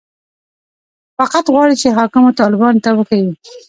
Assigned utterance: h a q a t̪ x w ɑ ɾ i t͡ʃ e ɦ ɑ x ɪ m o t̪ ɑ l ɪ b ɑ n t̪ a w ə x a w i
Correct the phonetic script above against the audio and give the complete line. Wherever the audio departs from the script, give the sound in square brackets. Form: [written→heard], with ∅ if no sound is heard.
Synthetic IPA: [h→f] a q a t̪ [x→ɣ] w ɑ [ɾ→ɽ] i t͡ʃ e ɦ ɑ [x→k] ɪ m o t̪ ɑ l ɪ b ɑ n t̪ a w ə x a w i

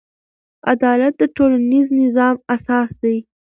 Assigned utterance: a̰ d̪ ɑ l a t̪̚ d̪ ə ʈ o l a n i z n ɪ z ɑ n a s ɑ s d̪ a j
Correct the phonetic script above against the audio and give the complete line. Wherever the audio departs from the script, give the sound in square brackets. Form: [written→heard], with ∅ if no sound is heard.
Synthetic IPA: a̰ d̪ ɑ l a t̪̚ d̪ ə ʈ o l a n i z n ɪ z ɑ [n→m] a s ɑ s d̪ a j

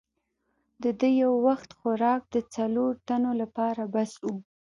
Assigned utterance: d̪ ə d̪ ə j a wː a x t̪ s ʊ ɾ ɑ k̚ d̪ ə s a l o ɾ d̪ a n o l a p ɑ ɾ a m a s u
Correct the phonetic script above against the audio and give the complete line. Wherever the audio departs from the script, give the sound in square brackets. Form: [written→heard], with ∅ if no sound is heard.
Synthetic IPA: d̪ ə d̪ ə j a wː a x t̪ [s→x] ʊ ɾ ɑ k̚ d̪ ə [s→t͡s] a l o ɾ [d̪→t̪] a n o l a p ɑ ɾ a [m→b] a s u

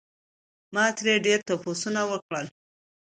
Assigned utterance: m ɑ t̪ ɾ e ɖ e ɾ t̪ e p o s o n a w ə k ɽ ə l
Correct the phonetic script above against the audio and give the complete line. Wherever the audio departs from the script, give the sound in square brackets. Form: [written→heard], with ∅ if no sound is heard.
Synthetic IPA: m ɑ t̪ ɾ e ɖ e ɾ t̪ [e→a] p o s [o→u] n a w ə k ɽ ə l

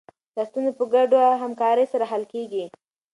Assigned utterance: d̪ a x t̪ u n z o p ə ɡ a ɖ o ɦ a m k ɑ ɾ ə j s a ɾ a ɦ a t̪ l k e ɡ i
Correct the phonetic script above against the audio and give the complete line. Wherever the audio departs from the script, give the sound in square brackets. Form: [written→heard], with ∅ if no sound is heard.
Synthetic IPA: d̪ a [x→s] t̪ u n z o p ə ɡ a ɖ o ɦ a m k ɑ ɾ ə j s a ɾ a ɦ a [t̪→∅] l k e ɡ i

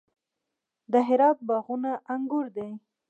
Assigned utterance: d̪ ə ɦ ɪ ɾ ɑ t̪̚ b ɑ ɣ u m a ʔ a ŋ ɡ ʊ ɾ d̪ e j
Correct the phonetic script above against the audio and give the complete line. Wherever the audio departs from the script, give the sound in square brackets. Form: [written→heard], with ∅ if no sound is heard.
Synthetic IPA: d̪ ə ɦ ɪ ɾ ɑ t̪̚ b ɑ ɣ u [m→n] a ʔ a ŋ ɡ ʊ ɾ d̪ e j

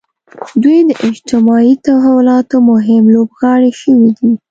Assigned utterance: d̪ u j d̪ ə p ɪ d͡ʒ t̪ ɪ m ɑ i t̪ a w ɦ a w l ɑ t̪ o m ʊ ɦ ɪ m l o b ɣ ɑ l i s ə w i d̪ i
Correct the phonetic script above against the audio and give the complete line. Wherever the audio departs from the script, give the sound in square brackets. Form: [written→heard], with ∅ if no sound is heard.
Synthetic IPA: d̪ u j d̪ ə [p→ʔ] ɪ d͡ʒ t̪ ɪ m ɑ i t̪ a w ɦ a w l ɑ t̪ o m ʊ ɦ ɪ m l o b ɣ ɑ [l→ɽ] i [s→ʃ] ə w i d̪ i

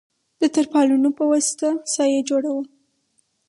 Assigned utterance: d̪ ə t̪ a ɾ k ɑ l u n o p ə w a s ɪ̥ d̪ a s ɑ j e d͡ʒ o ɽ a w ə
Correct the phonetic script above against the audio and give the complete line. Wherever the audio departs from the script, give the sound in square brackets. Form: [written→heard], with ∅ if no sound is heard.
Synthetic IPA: d̪ ə t̪ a ɾ [k→p] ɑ l u n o p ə w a s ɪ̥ [d̪→t̪] a s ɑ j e d͡ʒ o ɽ a w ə

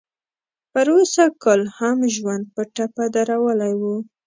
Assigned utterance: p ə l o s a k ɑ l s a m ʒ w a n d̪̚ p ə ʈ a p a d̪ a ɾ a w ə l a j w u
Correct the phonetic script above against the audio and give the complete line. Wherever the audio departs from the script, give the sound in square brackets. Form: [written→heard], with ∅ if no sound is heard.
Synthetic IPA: p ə [l→ɾ] o s a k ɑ l [s→h] a m ʒ w a n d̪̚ p ə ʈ a p a d̪ a ɾ a w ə l a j w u

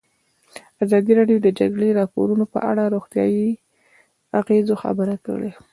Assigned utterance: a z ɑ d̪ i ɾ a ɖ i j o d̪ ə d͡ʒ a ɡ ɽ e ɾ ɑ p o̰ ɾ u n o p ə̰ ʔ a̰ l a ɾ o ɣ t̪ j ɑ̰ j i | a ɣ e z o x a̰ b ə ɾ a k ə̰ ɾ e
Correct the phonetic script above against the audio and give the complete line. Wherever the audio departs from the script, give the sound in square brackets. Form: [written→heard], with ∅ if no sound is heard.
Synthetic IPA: a z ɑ d̪ i ɾ [a→ɑ] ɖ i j o d̪ ə d͡ʒ a ɡ ɽ e ɾ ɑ p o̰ ɾ u n o p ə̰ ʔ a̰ [l→ɽ] a ɾ o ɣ t̪ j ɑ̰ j i | a ɣ e z o x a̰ b ə ɾ a k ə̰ [ɾ→ɽ] e

